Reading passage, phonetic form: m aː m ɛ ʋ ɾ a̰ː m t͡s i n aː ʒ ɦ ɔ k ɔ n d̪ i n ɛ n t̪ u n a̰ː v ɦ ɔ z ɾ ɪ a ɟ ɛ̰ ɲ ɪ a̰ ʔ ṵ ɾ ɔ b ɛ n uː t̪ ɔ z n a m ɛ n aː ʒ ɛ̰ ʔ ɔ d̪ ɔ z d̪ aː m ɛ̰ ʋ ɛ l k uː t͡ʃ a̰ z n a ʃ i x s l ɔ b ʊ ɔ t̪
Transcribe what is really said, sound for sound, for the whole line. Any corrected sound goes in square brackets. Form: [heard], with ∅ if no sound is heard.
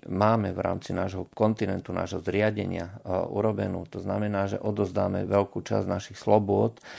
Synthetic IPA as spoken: m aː m ɛ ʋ ɾ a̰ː m t͡s i n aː ʒ ɦ ɔ k ɔ n [t̪] i n ɛ n t̪ u n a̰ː [ʒ] ɦ ɔ z ɾ ɪ a ɟ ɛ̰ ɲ ɪ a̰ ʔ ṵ ɾ ɔ b ɛ n uː t̪ ɔ z n a m ɛ n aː ʒ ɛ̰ ʔ ɔ d̪ ɔ z d̪ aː m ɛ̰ ʋ ɛ l k uː t͡ʃ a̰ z n a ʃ i x s l ɔ b ʊ ɔ t̪